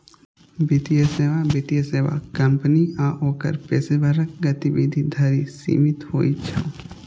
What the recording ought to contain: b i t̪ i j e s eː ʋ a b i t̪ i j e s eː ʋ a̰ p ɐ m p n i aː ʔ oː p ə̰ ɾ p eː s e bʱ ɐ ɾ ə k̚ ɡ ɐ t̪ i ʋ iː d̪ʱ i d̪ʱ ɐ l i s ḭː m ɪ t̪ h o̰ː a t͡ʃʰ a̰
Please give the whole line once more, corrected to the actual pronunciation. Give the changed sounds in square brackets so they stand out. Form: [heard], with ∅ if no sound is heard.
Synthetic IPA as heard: b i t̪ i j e s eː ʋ a b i t̪ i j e s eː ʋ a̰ [k] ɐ m p n i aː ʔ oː [k] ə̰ ɾ p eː s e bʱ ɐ ɾ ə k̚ ɡ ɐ t̪ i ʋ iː d̪ʱ i d̪ʱ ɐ [ɾ] i s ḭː m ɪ t̪ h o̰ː [i] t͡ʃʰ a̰